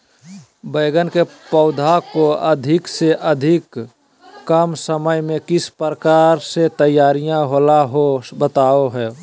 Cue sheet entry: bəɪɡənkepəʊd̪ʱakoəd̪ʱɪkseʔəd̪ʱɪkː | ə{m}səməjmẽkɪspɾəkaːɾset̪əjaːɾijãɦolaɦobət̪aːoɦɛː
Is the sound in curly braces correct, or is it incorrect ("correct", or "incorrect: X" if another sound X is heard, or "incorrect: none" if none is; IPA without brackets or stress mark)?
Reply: correct